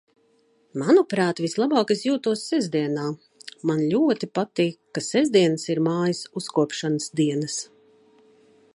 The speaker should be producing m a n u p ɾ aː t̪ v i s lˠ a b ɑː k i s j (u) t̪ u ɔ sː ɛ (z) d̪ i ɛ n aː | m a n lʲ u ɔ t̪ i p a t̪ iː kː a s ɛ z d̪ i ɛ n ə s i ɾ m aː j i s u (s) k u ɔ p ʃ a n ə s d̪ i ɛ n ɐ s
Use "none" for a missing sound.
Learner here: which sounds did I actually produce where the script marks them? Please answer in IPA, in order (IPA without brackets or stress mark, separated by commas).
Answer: uː, z, s